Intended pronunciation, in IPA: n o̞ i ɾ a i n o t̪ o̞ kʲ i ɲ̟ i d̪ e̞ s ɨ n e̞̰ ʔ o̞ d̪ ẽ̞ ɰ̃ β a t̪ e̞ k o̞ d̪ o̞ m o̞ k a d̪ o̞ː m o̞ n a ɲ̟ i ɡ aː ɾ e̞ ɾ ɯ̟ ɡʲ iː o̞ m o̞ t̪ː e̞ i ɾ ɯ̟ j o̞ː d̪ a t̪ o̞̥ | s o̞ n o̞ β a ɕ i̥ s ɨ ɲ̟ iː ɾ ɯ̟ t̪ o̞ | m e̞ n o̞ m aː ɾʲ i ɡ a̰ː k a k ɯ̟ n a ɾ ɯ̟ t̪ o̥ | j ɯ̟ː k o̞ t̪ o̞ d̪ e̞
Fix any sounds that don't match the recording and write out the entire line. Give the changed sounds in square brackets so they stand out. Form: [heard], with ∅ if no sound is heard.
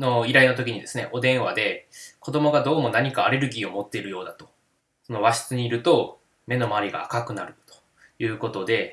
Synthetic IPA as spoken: n o̞ i ɾ a i n o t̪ o̞ kʲ i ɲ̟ i d̪ e̞ s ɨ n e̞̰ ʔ o̞ d̪ ẽ̞ ɰ̃ β a [d̪] e̞ k o̞ d̪ o̞ m o̞ [ɡ] a d̪ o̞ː m o̞ n a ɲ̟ i [k] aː ɾ e̞ ɾ ɯ̟ ɡʲ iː o̞ m o̞ t̪ː e̞ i ɾ ɯ̟ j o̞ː d̪ a t̪ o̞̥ | s o̞ n o̞ β a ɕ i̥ [t͡s] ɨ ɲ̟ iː ɾ ɯ̟ t̪ o̞ | m e̞ n o̞ m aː ɾʲ i ɡ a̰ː k a k ɯ̟ n a ɾ ɯ̟ t̪ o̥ | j ɯ̟ː k o̞ t̪ o̞ d̪ e̞